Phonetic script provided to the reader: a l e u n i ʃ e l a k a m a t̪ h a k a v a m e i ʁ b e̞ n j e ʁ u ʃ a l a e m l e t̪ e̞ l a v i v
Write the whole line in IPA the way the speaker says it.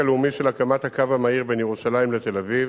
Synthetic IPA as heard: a l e u m i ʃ e l a k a m a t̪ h a k a v a m a i ʁ b e̞ n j e ʁ u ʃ a l a i m l e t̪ e̞ l a v i v